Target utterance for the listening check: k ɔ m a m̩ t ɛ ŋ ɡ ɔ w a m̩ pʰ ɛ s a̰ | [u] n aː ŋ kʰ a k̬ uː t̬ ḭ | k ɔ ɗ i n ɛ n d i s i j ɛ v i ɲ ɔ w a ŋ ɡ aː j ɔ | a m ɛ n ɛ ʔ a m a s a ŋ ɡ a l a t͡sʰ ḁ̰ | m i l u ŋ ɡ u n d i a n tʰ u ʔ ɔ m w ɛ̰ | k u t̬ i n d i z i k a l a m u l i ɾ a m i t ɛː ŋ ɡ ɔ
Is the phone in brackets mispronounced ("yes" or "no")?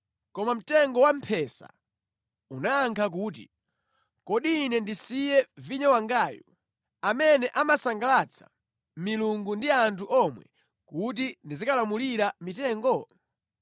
no